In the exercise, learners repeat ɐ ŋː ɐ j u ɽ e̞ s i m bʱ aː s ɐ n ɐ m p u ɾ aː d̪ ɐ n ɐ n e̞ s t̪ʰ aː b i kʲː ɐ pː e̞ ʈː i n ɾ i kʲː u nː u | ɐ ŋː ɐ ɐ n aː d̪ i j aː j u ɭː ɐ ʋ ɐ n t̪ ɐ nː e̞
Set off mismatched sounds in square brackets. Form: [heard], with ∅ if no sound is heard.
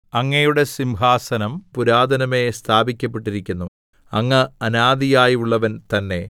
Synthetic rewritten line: ɐ ŋː ɐ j u ɽ e̞ s i m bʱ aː s ɐ n ɐ m p u ɾ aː d̪ ɐ n ɐ [m] e̞ s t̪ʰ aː b i kʲː ɐ pː e̞ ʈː i [∅] ɾ i kʲː u nː u | ɐ ŋː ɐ ɐ n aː d̪ i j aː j u ɭː ɐ ʋ ɐ n t̪ ɐ nː e̞